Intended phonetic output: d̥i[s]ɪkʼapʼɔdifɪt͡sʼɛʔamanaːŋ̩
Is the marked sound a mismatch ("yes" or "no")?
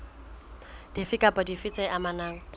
yes